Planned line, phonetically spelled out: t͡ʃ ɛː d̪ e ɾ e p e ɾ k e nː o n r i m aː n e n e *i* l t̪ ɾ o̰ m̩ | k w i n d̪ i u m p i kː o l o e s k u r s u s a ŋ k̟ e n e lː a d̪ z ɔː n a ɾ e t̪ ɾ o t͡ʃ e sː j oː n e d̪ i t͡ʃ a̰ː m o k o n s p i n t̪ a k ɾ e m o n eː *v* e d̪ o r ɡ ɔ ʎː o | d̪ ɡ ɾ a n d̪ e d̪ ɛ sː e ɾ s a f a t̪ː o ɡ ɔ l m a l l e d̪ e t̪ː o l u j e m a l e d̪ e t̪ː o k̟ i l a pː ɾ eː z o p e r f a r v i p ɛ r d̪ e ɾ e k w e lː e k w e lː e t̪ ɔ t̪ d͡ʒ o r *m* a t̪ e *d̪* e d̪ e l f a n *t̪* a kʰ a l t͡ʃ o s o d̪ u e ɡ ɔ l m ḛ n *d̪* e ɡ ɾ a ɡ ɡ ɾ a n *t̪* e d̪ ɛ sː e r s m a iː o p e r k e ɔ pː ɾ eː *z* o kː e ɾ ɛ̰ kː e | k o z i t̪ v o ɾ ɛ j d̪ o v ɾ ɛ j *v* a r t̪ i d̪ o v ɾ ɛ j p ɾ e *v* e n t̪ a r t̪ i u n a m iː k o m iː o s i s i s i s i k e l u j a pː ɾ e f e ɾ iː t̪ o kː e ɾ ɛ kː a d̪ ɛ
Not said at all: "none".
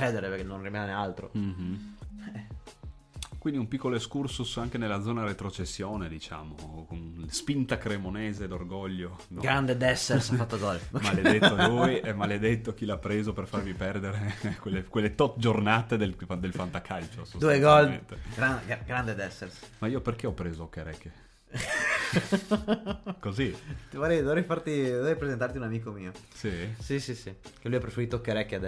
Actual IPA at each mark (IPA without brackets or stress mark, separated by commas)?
a, z, n, d̪, t̪, t̪, d̪, z, f, z